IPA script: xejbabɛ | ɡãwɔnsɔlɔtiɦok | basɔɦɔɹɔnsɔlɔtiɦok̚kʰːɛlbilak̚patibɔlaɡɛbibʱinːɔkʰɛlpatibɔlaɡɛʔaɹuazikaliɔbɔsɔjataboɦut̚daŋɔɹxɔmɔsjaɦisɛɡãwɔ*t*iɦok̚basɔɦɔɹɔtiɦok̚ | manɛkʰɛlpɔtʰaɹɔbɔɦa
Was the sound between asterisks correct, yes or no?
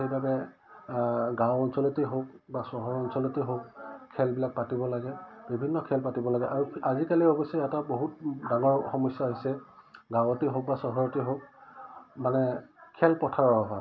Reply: yes